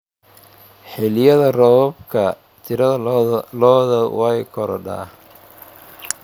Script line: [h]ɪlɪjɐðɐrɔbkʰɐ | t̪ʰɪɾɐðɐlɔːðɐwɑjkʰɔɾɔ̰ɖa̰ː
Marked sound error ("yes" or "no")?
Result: yes